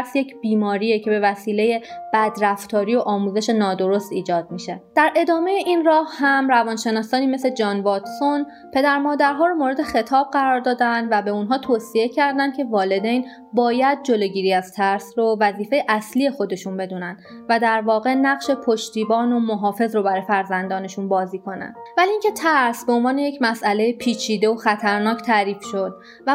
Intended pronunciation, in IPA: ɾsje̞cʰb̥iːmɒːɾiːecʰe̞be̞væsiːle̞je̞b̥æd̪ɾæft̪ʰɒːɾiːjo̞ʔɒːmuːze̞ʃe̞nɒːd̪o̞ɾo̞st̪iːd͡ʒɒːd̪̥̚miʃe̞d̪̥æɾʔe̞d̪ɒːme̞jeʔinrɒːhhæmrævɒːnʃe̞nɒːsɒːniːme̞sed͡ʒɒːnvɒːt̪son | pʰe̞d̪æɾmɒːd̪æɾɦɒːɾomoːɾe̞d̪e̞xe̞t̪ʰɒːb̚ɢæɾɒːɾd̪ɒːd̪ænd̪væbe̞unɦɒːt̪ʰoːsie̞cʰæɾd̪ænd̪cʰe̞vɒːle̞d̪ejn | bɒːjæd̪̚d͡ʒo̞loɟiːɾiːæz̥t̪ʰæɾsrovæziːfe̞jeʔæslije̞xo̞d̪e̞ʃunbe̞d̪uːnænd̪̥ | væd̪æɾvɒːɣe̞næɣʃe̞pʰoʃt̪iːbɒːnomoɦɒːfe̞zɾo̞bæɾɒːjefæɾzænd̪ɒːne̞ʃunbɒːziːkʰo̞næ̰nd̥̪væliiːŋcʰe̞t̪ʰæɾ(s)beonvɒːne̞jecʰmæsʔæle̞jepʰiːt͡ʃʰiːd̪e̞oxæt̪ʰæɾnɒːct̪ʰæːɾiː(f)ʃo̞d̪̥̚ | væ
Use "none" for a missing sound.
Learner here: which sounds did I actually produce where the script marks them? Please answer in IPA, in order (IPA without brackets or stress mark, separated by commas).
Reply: s, f